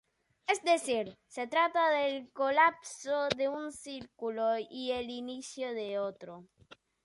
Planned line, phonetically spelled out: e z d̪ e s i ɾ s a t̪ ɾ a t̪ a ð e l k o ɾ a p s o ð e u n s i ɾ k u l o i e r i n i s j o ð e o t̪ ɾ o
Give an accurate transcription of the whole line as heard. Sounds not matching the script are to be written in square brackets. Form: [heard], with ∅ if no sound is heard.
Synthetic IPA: e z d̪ e s i ɾ s [e] t̪ ɾ a t̪ a ð e l k o [l] a p s o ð e u n s i ɾ k u l o i e [l] i n i s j o ð e o t̪ ɾ o